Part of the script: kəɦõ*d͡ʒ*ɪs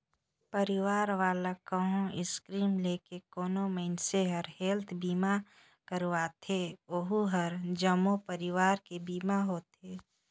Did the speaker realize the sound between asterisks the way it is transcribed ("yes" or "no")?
no